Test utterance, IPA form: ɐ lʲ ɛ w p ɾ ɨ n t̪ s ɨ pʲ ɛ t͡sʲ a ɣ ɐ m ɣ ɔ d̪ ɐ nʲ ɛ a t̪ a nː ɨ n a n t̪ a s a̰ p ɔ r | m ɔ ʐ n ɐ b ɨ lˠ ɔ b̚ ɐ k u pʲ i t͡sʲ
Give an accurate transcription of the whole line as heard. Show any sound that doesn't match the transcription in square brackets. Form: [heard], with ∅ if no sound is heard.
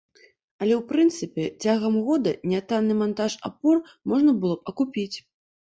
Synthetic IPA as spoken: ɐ lʲ ɛ w p ɾ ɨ n t̪ s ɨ pʲ ɛ t͡sʲ a ɣ ɐ m ɣ ɔ d̪ ɐ nʲ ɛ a t̪ a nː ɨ [m] a n t̪ a [ʂ] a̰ p ɔ r | m ɔ ʐ n ɐ b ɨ lˠ ɔ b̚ ɐ k u pʲ i t͡sʲ